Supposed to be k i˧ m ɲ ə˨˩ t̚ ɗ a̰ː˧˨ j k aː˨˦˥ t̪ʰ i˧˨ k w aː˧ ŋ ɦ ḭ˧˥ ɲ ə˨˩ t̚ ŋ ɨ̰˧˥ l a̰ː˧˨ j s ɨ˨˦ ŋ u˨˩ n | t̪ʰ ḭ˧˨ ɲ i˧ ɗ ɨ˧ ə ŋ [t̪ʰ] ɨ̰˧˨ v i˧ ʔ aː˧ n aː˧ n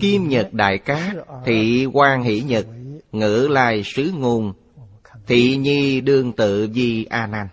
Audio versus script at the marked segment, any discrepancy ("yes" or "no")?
yes